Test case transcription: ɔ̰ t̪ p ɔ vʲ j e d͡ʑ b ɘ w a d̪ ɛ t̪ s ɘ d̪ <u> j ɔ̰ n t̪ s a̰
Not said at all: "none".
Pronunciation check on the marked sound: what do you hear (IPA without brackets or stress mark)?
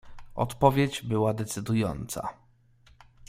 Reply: u